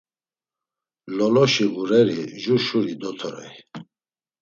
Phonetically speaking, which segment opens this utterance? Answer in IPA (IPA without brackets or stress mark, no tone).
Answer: l